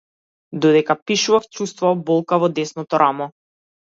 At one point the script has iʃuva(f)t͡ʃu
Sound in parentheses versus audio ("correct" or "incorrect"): correct